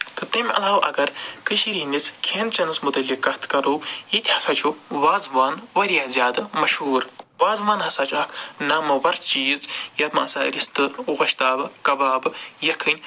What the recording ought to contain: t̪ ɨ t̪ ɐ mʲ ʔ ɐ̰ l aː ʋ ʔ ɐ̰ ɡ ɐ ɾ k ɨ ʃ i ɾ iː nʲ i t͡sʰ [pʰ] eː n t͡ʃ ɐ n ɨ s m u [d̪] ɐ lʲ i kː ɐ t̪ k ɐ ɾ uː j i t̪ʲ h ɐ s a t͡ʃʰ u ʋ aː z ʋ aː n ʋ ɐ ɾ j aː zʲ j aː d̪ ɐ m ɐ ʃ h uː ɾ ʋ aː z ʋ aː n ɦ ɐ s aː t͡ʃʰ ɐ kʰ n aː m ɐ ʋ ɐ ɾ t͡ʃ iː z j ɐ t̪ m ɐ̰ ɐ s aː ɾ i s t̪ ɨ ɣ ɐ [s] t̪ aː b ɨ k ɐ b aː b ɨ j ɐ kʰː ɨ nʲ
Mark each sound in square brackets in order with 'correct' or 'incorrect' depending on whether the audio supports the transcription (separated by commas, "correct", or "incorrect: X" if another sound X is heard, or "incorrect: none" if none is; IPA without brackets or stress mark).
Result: incorrect: kʰ, incorrect: t̪, incorrect: ʃ